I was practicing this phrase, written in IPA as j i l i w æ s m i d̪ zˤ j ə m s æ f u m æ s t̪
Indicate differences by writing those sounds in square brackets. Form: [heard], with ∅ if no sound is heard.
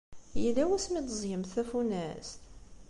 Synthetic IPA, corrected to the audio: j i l [æ] w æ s m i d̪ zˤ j ə m [θ] æ f u [n] æ s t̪